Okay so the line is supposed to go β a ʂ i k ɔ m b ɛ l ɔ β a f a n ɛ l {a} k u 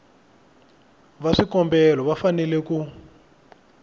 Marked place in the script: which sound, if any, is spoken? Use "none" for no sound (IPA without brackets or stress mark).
ɛ